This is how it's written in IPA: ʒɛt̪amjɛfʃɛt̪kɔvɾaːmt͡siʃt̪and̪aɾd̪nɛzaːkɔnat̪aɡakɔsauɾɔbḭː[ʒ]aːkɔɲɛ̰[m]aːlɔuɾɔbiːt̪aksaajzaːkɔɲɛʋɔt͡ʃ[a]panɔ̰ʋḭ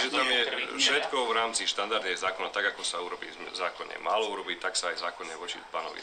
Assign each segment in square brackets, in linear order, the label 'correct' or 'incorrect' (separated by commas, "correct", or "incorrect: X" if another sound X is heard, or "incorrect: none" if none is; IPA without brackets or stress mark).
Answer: incorrect: z, correct, incorrect: i